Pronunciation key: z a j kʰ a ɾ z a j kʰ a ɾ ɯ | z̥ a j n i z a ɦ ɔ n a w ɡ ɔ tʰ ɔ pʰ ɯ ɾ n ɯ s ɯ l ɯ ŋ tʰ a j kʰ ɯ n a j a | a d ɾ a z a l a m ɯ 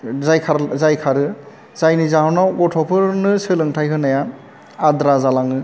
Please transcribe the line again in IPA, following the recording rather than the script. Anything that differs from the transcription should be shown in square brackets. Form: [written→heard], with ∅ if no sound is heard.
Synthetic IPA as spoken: z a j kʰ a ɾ z a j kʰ a ɾ ɯ | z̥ a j n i z a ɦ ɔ n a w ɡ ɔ tʰ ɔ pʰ ɯ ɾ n ɯ s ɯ l ɯ ŋ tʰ a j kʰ ɯ n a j a | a d ɾ a z a l a [m→ŋ] ɯ